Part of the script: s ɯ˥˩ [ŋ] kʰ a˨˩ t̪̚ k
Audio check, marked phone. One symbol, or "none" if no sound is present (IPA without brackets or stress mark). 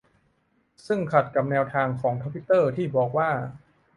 ŋ